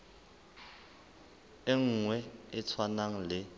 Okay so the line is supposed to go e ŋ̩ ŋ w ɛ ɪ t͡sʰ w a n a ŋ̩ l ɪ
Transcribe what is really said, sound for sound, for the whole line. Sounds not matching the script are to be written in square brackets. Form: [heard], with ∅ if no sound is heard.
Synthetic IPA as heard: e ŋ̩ ŋ w ɛ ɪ t͡sʰ w a n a ŋ̩ l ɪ